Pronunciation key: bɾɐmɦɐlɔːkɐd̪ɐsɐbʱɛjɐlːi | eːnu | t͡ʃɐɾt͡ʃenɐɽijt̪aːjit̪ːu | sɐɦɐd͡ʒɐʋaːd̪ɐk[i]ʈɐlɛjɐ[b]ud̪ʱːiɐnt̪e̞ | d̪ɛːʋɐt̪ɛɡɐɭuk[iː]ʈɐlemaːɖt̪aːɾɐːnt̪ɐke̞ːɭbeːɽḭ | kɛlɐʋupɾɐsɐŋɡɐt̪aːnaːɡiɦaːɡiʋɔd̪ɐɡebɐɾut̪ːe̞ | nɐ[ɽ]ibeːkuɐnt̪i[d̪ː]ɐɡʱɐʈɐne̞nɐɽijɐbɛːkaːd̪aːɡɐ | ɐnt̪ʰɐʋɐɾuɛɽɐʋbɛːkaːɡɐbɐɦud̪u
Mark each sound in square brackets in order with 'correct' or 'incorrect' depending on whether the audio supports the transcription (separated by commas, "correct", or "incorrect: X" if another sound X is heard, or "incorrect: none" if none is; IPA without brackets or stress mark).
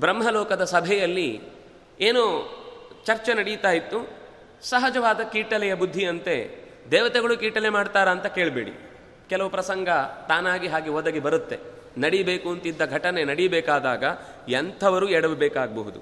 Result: incorrect: iː, correct, correct, correct, correct